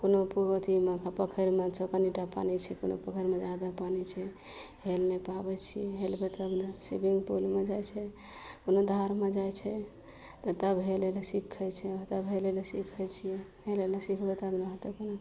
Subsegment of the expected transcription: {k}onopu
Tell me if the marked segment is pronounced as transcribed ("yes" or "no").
yes